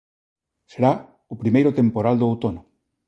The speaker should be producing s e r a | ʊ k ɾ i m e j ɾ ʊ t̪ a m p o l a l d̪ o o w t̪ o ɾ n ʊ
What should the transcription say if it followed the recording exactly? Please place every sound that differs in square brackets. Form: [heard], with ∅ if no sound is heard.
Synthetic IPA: s e [ɾ] a | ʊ [p] ɾ i m e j ɾ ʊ t̪ [e] m p o [ɾ] a l d̪ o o w t̪ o [∅] n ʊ